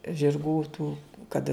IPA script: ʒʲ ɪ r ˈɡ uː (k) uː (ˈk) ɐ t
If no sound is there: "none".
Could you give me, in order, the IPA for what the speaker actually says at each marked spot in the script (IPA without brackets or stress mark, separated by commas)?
t, k